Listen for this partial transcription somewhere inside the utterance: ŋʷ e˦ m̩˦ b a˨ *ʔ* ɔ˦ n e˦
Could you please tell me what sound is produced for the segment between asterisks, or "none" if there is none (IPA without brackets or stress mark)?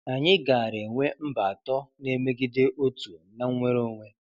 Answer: t